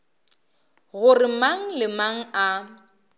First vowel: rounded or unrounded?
rounded